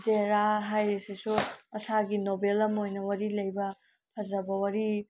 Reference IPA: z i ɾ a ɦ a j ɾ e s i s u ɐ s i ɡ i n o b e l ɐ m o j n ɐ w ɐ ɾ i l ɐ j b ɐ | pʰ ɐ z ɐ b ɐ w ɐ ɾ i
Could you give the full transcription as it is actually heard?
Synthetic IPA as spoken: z e ɾ a ɦ a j ɾ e s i s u ɐ s a ɡ i n o b e l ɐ m o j n ɐ w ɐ ɾ i l ɐ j b ɐ | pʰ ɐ z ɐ b ɐ w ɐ ɾ i